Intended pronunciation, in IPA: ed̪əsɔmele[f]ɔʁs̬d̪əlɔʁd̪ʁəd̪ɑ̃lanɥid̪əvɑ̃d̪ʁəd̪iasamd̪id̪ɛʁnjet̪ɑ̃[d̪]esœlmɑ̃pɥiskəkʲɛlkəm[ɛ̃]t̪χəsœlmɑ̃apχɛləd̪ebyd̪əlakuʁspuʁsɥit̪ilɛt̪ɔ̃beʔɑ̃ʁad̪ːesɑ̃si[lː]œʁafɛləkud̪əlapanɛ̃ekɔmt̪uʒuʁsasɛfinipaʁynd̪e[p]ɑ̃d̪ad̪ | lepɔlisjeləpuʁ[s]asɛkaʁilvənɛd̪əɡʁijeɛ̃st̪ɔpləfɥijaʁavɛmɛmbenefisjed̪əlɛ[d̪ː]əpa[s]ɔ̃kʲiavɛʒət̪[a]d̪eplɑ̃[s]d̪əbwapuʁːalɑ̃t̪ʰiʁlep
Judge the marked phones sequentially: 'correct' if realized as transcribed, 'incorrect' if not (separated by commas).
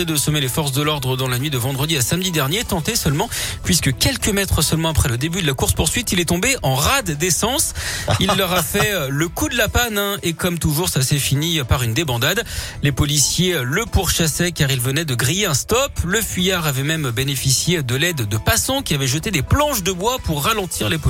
correct, incorrect, incorrect, correct, incorrect, incorrect, correct, correct, incorrect, incorrect